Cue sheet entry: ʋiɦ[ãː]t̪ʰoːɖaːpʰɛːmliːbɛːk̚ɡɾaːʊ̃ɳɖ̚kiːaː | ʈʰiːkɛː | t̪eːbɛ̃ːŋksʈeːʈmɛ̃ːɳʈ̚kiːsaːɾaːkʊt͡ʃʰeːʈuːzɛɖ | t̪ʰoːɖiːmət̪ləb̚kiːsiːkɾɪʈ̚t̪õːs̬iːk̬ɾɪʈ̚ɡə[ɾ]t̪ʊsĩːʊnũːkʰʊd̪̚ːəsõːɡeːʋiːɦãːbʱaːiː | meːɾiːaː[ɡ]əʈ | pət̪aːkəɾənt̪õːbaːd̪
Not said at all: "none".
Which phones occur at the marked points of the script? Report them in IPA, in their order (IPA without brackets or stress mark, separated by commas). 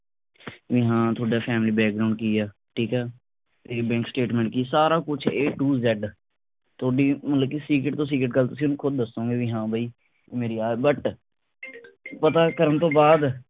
ãː, l, b